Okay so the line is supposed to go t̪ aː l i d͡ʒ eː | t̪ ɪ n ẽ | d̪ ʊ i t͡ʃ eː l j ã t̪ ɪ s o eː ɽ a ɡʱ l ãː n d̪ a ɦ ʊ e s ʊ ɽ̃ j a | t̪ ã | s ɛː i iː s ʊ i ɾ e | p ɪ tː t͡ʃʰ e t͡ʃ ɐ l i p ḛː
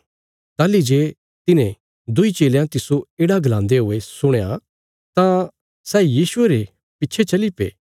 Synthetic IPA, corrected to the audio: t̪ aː l i d͡ʒ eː | t̪ ɪ n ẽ | d̪ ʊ i t͡ʃ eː l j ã t̪ ɪ s o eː ɽ a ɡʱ l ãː n d̪ e ɦ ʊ e s ʊ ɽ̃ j a | t̪ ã | s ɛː j iː s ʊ e ɾ e | p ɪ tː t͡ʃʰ e t͡ʃ ɐ l i p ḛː

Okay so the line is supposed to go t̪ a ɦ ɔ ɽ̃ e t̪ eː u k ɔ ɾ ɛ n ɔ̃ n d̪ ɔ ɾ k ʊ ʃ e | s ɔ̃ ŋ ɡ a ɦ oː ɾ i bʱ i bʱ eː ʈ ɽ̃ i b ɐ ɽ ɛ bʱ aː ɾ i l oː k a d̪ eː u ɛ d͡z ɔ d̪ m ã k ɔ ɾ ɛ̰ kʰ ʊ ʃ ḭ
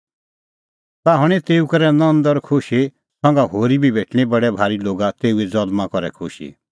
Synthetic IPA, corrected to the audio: t̪ a ɦ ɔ ɽ̃ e t̪ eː u k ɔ ɾ ɛ n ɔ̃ n d̪ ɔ ɾ kʰ ʊ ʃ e | s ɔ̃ ŋ ɡ a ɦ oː ɾ i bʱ i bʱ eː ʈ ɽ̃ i b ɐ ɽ ɛ bʱ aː ɾ i l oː ɡ a t̪ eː u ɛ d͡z ɔ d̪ m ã k ɔ ɾ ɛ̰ kʰ ʊ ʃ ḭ

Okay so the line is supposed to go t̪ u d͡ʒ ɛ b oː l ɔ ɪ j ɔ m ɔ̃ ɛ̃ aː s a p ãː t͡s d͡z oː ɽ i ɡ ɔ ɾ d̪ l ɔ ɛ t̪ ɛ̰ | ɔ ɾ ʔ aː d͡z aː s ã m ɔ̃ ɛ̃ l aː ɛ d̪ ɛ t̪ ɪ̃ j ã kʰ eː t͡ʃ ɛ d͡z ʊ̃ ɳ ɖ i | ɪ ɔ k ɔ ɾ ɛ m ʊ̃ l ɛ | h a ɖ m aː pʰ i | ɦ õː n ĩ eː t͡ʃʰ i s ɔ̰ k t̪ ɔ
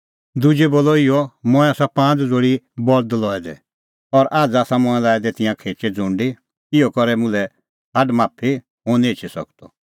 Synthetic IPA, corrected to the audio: d̪ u d͡ʒ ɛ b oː l ɔ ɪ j ɔ m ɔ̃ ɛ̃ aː s a p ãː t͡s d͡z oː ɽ i b ɔ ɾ d̪ l ɔ ɛ d̪ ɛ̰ | ɔ ɾ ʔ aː d͡z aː s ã m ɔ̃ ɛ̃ l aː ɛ d̪ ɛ t̪ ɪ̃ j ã kʰ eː t͡ʃ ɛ d͡z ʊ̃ ɳ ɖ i | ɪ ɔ k ɔ ɾ ɛ m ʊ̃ l ɛ | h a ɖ m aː pʰ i | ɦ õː n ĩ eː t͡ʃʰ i s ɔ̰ k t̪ ɔ

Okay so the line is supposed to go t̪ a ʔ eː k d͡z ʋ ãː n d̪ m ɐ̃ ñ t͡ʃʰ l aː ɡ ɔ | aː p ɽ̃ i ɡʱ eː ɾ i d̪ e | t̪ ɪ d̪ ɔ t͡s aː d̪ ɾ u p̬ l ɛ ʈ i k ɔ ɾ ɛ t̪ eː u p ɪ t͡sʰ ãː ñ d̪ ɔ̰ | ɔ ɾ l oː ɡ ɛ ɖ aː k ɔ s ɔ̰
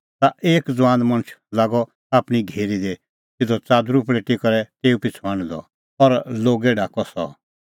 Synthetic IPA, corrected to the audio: t̪ a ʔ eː k d͡z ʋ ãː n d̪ m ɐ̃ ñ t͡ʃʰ l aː ɡ ɔ | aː p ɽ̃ i ɡʱ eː ɾ i d̪ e | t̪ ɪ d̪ ɔ t͡s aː d̪ ɾ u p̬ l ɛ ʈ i k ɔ ɾ ɛ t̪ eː u p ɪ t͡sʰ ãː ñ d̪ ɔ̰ | ɔ ɾ l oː ɡ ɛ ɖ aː k ɔ s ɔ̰

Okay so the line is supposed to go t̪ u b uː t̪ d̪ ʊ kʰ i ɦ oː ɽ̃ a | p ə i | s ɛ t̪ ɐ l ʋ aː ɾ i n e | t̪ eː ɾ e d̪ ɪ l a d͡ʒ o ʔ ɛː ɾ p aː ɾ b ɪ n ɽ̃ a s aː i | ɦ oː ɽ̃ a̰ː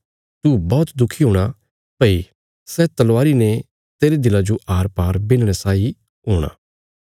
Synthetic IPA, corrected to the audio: t̪ u b ɔː t̪ d̪ ʊ kʰ i ɦ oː ɽ̃ a | p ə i | s ɛ t̪ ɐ l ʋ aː ɾ i n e | t̪ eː ɾ e d̪ ɪ l a d͡ʒ o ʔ aː ɾ p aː ɾ b ɪ n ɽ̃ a s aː i | ɦ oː ɽ̃ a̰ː

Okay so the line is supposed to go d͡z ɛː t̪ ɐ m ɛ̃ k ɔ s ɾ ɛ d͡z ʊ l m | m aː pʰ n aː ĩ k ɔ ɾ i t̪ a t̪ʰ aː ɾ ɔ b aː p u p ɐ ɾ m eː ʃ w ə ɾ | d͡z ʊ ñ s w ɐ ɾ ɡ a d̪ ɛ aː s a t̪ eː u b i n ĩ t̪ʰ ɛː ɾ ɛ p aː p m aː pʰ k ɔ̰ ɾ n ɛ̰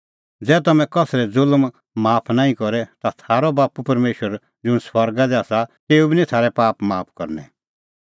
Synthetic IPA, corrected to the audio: d͡z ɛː t̪ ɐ m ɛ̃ k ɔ s ɾ ɛ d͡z ʊ l m | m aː pʰ n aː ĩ k ɔ ɾ ɛ t̪ a t̪ʰ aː ɾ ɔ b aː p u p ɐ ɾ m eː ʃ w ə ɾ | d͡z ʊ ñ s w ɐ ɾ ɡ a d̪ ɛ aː s a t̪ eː u b i n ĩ t̪ʰ aː ɾ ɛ p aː p m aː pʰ k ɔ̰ ɾ n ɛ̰

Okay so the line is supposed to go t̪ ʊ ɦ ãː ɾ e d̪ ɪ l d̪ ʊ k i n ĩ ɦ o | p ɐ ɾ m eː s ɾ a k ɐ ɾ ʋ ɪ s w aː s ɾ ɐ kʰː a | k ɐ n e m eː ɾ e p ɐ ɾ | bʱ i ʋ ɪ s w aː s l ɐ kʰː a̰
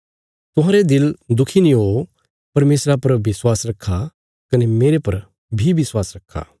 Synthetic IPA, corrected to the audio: t̪ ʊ ɦ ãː ɾ e d̪ ɪ l d̪ ʊ kʰ i n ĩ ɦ o | p ɐ ɾ m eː s ɾ a p ɐ ɾ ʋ ɪ s w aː s ɾ ɐ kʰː a | k ɐ n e m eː ɾ e p ɐ ɾ | bʱ i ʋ ɪ s w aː s ɾ ɐ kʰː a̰

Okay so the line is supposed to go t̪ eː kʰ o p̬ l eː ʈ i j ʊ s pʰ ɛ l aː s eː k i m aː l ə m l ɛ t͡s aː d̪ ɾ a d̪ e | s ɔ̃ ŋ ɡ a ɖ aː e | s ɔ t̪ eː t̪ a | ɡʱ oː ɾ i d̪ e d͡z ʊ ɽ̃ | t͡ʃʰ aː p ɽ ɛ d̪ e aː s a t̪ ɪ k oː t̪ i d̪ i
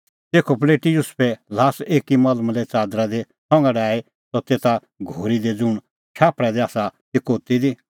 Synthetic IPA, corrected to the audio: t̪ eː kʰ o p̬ l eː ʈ i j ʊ s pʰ ɛ l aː s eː k i m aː l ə m l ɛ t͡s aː d̪ ɾ a d̪ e | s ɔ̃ ŋ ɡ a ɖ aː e | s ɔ t̪ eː t̪ a | ɡʱ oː ɾ i d̪ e d͡z ʊ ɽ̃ | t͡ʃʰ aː p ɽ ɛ d̪ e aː s a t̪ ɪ k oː t̪ i d̪ i

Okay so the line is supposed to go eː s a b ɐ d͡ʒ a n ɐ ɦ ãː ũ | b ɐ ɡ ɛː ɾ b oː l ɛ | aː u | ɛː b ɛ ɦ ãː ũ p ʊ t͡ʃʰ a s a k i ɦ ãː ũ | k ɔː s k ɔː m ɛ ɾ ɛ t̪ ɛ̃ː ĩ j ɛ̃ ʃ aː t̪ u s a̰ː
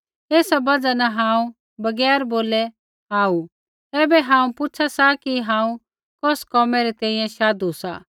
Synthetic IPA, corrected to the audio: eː s a b ɐ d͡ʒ a n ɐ ɦ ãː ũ | b ɐ ɡ ɛː ɾ b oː l ɛ | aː u | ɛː b ɛ ɦ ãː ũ p ʊ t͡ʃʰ a s a k i ɦ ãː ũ | k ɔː s k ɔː m ɛ ɾ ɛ t̪ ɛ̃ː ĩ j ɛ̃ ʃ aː d̪ u s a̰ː

